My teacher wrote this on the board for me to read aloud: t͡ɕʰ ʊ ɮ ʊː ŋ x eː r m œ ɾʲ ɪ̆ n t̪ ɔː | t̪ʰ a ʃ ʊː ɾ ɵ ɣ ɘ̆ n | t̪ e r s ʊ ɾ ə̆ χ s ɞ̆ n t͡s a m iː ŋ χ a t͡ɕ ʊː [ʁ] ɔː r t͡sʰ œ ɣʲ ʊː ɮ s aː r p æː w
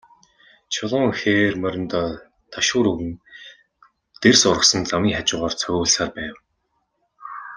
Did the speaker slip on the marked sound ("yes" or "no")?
no